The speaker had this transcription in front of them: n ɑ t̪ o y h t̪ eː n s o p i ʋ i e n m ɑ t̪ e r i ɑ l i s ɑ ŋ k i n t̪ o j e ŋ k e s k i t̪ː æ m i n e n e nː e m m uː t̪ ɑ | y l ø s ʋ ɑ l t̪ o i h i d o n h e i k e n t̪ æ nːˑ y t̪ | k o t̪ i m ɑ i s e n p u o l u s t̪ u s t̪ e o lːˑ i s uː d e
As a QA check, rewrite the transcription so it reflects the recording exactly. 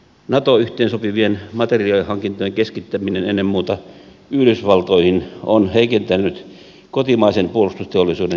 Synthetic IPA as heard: n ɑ t̪ o y h t̪ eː n s o p i ʋ i e n m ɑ t̪ e r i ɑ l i h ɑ ŋ k i n t̪ o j e ŋ k e s k i t̪ː æ m i n e n e nː e m m uː t̪ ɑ | y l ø s ʋ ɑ l t̪ o i h i n o n h e i k e n t̪ æ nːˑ y t̪ | k o t̪ i m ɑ i s e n p u o l u s t̪ u s t̪ e o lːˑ i s uː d e